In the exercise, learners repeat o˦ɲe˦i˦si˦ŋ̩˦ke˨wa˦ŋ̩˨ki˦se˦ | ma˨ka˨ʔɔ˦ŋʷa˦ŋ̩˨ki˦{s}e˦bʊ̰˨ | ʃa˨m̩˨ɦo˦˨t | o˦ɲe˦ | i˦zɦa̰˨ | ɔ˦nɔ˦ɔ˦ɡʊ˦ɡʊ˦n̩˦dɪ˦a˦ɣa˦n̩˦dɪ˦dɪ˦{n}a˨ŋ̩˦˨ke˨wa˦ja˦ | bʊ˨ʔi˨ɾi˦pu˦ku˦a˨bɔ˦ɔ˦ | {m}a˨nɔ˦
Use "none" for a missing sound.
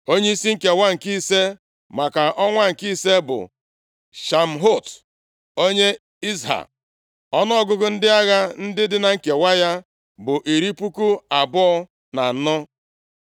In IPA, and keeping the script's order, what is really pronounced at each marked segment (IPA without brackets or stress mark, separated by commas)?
s, n, n